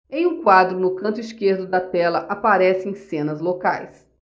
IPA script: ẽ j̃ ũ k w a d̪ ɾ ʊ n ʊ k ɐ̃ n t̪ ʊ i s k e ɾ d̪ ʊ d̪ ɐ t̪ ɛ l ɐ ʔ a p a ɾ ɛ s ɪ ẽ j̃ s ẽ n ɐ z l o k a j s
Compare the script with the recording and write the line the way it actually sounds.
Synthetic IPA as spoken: ẽ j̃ ũ k w a d̪ ɾ ʊ n ʊ k ɐ̃ n t̪ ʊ i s k e ɾ d̪ ʊ d̪ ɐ t̪ ɛ l ɐ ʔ a p a ɾ ɛ s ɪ ẽ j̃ s ẽ n ɐ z l o k a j s